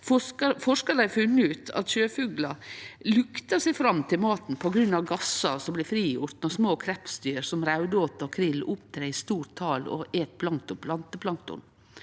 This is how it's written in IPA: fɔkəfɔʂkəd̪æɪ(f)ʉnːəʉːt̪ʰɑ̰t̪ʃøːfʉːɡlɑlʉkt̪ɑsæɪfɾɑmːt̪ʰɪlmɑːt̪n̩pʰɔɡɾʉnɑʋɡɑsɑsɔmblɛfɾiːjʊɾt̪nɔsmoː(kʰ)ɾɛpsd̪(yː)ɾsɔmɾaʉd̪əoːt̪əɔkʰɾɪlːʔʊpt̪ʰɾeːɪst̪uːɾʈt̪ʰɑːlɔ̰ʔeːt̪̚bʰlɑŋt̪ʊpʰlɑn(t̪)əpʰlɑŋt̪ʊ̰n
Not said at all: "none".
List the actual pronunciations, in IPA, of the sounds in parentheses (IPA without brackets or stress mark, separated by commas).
f, kʰ, yː, t̪